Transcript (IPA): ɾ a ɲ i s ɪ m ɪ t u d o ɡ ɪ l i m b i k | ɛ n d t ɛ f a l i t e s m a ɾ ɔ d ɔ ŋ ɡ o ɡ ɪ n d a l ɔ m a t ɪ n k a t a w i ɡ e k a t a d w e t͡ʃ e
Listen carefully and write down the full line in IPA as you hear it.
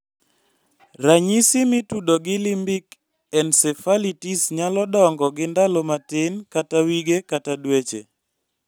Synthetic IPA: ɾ a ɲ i s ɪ m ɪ t u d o ɡ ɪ l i m b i k | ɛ n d s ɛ f a l i t i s ɲ a l ɔ d ɔ ŋ ɡ ɔ ɡ ɪ n d a l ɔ m a t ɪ n k a t a w i ɡ e k a t a d w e t͡ʃ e